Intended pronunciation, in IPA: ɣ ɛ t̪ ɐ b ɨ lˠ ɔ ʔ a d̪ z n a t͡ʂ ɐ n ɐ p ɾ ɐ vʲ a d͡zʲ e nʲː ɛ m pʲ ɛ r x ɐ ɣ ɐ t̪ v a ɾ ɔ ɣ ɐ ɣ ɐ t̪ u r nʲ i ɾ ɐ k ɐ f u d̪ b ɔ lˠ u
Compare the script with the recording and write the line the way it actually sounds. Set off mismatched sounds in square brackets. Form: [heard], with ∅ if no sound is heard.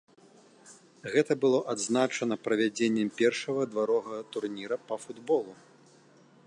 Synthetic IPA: ɣ ɛ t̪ ɐ b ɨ lˠ ɔ ʔ a d̪ z n a t͡ʂ ɐ n ɐ p ɾ ɐ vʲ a d͡zʲ e nʲː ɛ m pʲ ɛ r [ʂ] ɐ ɣ ɐ [d̪] v a ɾ ɔ ɣ ɐ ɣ ɐ t̪ u r nʲ i ɾ ɐ [p] ɐ f u d̪ b ɔ lˠ u